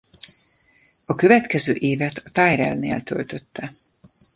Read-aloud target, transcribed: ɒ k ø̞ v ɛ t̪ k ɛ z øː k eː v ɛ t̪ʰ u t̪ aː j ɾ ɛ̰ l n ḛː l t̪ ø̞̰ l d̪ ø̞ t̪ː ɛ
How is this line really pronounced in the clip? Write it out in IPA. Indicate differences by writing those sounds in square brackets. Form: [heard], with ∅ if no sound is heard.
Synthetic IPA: ɒ k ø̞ v ɛ t̪ k ɛ z øː [ʔ] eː v ɛ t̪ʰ [ɒ] t̪ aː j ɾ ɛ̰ l n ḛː l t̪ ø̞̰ l [t̪] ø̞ t̪ː ɛ